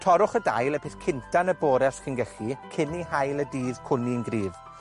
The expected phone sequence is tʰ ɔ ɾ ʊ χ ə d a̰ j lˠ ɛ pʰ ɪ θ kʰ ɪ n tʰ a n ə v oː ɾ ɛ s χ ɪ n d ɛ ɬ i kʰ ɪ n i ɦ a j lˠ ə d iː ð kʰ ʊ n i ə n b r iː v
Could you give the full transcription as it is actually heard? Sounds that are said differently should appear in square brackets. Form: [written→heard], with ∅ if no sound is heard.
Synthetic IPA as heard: tʰ ɔ ɾ ʊ χ ə d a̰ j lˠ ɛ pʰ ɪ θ kʰ ɪ n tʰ a n ə [v→b] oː ɾ ɛ s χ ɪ n [d→ɡ] ɛ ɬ i kʰ ɪ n i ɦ a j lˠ ə d iː ð kʰ ʊ n i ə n [b→ɡ] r iː v